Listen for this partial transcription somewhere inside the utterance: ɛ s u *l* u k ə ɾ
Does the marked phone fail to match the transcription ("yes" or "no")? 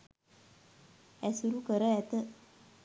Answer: yes